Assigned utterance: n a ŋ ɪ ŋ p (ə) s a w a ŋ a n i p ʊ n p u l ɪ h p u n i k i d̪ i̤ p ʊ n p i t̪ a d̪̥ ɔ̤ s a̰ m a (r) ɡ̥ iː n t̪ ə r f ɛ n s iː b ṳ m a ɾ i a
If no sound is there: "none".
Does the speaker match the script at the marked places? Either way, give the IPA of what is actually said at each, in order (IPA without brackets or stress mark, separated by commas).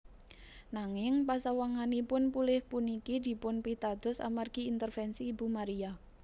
a, r